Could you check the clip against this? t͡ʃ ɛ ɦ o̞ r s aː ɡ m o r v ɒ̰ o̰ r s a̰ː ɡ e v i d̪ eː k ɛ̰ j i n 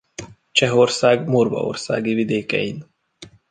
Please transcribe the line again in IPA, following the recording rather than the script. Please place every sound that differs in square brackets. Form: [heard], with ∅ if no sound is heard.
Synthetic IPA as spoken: t͡ʃ ɛ ɦ o̞ r s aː ɡ m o r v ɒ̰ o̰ r s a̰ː ɡ [i] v i d̪ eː k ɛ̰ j i n